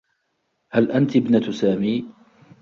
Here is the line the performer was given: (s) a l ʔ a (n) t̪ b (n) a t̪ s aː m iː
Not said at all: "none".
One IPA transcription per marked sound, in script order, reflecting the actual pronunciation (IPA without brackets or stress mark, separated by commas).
h, n, n